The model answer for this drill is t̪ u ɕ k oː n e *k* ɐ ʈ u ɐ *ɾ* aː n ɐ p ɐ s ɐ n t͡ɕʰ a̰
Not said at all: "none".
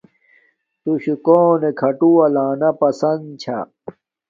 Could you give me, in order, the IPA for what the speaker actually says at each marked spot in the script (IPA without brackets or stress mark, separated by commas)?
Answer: kʰ, l